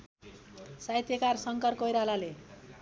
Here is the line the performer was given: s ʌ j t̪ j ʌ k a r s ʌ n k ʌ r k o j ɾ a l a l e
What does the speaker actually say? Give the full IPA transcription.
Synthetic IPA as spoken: s a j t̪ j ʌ k a r s ʌ ŋ k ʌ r k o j ɾ a l a l e